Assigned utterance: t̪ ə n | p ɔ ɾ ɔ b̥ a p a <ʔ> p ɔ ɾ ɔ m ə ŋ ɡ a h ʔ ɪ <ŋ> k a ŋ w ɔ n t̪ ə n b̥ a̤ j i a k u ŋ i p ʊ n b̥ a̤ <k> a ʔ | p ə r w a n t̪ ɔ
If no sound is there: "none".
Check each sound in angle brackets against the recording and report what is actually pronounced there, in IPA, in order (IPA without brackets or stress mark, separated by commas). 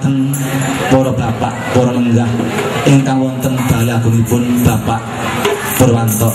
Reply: ʔ, ŋ, p